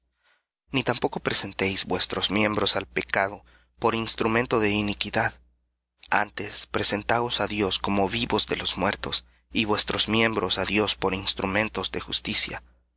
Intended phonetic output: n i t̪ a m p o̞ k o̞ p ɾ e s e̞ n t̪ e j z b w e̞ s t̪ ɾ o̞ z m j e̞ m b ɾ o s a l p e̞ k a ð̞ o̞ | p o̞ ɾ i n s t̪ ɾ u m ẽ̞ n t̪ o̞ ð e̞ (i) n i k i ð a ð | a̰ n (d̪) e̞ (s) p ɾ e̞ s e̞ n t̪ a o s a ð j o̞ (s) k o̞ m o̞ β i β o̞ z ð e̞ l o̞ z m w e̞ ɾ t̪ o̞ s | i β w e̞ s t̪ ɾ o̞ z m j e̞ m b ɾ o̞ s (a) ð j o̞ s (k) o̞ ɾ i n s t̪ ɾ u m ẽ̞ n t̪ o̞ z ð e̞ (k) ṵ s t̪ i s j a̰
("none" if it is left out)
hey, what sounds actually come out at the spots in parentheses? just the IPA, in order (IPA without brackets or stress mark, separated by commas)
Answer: i, t̪, s, s, a, p, x